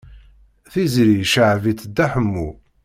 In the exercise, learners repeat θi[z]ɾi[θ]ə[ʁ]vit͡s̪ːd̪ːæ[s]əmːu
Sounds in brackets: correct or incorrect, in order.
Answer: correct, incorrect, incorrect, incorrect

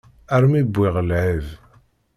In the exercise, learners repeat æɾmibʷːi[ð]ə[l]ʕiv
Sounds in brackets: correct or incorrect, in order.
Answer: incorrect, correct

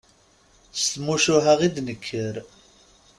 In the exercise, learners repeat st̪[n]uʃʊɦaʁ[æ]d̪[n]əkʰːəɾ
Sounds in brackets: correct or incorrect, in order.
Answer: incorrect, incorrect, correct

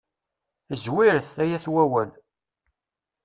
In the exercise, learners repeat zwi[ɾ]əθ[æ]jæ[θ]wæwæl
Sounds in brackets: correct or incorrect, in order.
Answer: correct, correct, correct

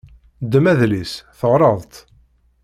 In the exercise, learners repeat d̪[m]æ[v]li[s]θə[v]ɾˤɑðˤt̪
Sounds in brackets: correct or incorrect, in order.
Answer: correct, incorrect, correct, incorrect

